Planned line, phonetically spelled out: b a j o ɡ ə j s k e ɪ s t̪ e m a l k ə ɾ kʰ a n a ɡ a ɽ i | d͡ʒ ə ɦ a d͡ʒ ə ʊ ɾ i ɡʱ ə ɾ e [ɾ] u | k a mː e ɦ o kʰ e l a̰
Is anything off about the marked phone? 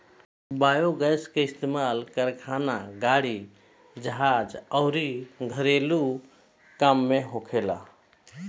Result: yes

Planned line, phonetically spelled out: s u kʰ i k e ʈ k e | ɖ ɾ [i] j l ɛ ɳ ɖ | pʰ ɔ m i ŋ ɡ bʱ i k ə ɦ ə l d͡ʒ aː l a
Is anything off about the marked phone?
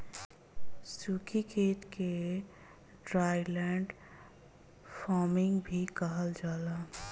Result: yes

